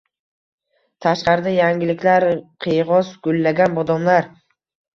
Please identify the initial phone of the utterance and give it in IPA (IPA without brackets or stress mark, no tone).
t̪ʰ